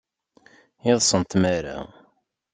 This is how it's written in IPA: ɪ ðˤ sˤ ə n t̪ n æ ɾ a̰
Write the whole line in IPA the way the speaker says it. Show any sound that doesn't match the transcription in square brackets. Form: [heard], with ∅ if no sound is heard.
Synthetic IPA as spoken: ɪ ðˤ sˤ ə n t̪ [m] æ ɾ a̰

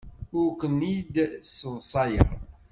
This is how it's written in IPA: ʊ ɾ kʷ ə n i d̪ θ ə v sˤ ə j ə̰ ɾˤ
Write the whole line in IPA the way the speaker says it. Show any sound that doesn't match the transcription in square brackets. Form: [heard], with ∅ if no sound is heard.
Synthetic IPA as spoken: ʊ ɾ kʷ ə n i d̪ [s] ə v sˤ [ɑ] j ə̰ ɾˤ

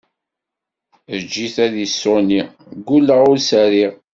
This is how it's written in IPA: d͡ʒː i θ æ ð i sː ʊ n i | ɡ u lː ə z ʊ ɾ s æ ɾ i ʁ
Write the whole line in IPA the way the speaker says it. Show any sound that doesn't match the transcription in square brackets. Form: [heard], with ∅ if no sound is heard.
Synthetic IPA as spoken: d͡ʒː i θ æ ð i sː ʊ n i | ɡ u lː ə [ʁ] ʊ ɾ s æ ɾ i ʁ

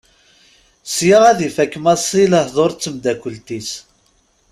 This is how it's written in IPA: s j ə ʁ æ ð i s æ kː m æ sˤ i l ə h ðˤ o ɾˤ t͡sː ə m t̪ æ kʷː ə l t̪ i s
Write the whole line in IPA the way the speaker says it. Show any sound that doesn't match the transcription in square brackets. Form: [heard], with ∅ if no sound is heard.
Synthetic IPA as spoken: s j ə ʁ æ ð i [f] æ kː m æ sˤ i l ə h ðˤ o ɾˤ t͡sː ə m [d̪] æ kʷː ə l t̪ i s

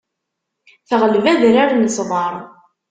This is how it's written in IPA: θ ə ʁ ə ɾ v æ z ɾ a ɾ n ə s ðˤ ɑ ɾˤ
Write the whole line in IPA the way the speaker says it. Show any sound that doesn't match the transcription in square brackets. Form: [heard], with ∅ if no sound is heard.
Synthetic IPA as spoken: θ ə ʁ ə [l] v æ [ð] ɾ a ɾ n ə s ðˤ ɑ ɾˤ

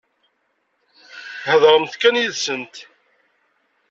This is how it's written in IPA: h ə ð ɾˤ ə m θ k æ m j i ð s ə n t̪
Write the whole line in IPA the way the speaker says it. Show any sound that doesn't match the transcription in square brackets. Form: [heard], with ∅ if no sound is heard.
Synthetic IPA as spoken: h ə ð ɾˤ ə m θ k æ [n] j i ð s ə n t̪

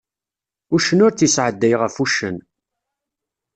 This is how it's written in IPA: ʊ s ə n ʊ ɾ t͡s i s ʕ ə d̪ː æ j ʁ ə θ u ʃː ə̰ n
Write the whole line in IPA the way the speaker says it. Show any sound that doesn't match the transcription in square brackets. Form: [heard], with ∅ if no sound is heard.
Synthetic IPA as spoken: ʊ [ʃ] ə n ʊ ɾ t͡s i s ʕ ə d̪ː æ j ʁ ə [f] u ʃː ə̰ n

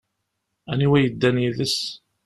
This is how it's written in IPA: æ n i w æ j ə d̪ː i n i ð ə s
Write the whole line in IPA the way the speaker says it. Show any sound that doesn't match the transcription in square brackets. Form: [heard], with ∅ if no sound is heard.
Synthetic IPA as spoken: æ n i w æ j ə d̪ː [æ] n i ð ə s

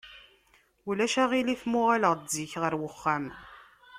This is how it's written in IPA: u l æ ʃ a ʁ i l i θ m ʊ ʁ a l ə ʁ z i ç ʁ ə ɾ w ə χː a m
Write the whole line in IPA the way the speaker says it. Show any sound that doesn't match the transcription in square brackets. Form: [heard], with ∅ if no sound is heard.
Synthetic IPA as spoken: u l æ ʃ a ʁ i l i θ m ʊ ʁ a l ə ʁ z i ç ʁ ə ɾ w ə χː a m

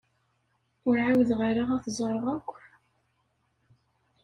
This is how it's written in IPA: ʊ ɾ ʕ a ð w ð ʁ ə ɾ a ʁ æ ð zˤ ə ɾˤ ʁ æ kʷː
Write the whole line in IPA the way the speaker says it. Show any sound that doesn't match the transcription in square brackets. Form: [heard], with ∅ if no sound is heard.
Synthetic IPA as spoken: ʊ ɾ ʕ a [∅] w ð ʁ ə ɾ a ʁ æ [θ] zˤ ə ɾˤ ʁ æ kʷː

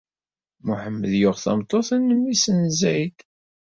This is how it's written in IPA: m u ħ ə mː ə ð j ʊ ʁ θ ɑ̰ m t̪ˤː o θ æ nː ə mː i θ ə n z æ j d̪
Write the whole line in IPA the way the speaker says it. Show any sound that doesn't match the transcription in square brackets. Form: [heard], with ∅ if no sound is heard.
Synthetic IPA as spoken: m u ħ ə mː ə ð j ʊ ʁ θ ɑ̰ m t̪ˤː o θ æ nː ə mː i [s] ə n z æ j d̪

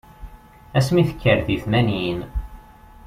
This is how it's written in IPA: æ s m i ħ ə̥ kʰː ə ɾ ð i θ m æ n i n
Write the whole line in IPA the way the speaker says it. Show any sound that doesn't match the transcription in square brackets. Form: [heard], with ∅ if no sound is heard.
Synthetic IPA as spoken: æ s m i [θ] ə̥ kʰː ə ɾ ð i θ m æ n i n

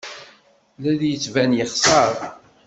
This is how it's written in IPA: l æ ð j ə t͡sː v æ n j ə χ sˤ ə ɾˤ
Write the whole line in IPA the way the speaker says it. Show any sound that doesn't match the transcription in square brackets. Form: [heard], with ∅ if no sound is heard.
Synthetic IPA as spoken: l æ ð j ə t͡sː v æ n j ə χ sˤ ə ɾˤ

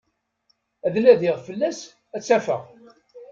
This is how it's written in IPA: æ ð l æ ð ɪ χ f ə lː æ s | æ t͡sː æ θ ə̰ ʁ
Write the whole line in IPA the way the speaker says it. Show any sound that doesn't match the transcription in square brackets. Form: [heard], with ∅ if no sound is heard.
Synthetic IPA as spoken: æ ð l æ ð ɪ [ʁ] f ə lː æ s | æ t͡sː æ [f] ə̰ ʁ

